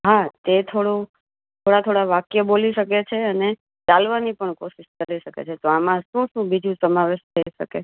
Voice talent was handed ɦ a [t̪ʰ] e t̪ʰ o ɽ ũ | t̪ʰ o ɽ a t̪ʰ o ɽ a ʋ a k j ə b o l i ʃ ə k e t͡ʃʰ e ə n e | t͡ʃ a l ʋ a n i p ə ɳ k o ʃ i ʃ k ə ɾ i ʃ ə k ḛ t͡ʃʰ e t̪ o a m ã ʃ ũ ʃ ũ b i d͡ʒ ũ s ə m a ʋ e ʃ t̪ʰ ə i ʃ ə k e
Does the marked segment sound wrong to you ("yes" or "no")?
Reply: yes